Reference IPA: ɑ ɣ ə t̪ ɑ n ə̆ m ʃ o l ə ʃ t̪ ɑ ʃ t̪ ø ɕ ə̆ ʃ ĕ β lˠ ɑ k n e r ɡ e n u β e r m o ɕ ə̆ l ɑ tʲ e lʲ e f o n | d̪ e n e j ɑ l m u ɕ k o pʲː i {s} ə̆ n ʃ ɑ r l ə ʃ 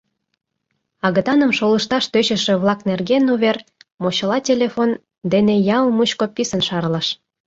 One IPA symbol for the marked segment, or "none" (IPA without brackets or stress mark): s